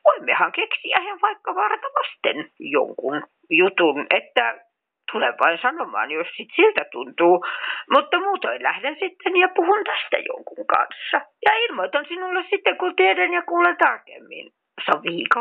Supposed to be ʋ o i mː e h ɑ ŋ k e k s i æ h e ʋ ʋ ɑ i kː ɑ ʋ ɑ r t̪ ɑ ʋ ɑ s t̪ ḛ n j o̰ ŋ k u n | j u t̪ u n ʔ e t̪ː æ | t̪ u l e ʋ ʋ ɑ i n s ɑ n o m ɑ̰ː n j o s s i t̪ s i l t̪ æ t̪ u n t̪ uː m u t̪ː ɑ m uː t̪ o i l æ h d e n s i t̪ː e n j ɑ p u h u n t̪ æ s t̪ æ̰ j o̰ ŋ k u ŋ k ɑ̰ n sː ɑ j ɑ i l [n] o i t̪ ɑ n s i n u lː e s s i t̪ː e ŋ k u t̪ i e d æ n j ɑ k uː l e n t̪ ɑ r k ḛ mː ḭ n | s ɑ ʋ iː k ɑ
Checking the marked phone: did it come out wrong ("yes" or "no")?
yes